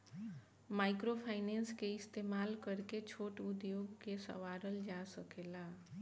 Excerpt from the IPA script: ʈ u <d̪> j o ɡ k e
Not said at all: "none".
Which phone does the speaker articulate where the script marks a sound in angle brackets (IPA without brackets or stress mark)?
d̪